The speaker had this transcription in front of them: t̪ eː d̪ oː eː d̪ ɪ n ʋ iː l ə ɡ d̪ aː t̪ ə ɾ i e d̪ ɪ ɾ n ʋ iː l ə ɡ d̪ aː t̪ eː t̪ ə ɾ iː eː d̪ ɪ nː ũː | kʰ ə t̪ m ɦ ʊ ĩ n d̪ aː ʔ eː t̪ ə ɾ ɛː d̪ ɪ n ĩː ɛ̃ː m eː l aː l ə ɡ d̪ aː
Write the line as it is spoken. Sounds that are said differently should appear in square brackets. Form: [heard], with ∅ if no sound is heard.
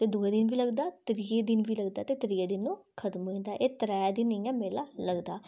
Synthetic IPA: t̪ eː d̪ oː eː d̪ ɪ n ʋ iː l ə ɡ d̪ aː t̪ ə ɾ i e d̪ ɪ [∅] n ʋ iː l ə ɡ d̪ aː t̪ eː t̪ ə ɾ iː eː d̪ ɪ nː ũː | kʰ ə t̪ m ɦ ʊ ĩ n d̪ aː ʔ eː t̪ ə ɾ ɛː d̪ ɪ n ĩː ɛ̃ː m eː l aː l ə ɡ d̪ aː